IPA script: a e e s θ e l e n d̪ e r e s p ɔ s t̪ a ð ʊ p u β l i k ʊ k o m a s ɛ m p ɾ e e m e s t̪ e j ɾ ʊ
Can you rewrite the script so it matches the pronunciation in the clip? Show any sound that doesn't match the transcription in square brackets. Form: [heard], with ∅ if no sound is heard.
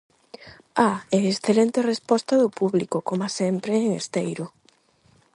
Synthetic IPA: a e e s θ e l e n [t̪] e r e s p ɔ s t̪ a ð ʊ p u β l i k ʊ k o m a s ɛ m p ɾ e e [ŋ] e s t̪ e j ɾ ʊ

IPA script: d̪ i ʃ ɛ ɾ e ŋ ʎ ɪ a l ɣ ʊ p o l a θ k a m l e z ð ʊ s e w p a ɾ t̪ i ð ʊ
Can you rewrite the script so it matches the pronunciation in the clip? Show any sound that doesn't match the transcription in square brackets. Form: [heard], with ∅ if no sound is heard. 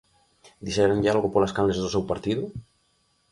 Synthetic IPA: d̪ i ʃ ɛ ɾ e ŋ ʎ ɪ a l ɣ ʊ p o l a [s] k a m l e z ð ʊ s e w p a ɾ t̪ i ð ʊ

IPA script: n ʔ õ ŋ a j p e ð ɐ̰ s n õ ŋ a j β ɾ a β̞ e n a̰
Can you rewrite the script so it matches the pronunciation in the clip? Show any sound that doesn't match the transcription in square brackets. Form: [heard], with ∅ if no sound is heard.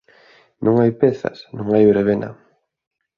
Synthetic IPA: n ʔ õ ŋ a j p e [θ] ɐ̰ s n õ ŋ a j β ɾ [e] β̞ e n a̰

